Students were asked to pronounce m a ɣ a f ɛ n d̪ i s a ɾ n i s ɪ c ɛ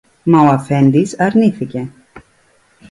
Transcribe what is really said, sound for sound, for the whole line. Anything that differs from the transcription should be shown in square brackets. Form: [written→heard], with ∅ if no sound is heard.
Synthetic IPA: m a [ɣ→w] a f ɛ n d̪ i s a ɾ n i [s→f] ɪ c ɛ